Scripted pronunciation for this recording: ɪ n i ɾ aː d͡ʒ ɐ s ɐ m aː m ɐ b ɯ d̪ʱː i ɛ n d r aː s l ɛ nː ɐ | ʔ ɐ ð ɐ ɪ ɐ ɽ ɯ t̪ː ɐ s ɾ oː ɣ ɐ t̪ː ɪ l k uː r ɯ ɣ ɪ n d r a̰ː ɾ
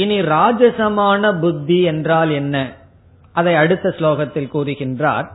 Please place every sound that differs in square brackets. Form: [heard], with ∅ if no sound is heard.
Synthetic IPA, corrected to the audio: ɪ n i ɾ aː d͡ʒ ɐ s ɐ m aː [n] ɐ b [ʊ] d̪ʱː i ɛ n d r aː [∅] l ɛ nː ɐ | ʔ ɐ ð ɐ ɪ ɐ ɽ ɯ t̪ː ɐ s [l] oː ɣ ɐ t̪ː ɪ l k uː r ɯ ɣ ɪ n d r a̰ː ɾ